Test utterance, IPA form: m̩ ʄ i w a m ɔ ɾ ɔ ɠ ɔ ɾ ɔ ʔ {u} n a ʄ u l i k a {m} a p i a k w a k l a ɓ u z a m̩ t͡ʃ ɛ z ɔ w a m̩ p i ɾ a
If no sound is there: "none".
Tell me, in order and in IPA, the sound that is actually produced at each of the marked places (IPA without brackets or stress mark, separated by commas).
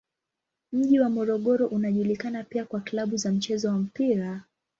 u, n